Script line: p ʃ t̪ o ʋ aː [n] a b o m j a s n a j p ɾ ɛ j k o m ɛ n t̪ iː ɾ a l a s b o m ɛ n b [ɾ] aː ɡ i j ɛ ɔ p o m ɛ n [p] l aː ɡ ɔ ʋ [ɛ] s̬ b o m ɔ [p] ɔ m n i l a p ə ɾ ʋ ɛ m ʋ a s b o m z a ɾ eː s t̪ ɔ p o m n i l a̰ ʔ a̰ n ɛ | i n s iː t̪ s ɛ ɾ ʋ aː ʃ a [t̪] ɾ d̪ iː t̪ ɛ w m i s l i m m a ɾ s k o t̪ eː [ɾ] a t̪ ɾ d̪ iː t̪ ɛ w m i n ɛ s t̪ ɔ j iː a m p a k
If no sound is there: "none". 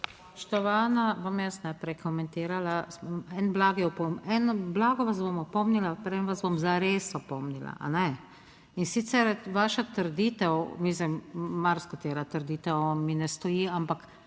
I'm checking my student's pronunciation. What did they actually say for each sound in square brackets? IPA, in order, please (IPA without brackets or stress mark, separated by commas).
n, l, b, a, p, t̪, ɾ